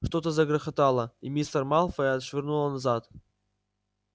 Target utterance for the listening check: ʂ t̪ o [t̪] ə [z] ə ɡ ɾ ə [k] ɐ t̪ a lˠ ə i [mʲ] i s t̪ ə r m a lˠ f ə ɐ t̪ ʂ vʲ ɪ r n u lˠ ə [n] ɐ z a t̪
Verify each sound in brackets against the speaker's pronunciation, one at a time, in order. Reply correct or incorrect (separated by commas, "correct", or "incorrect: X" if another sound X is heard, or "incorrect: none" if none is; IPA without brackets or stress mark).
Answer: correct, correct, incorrect: x, correct, correct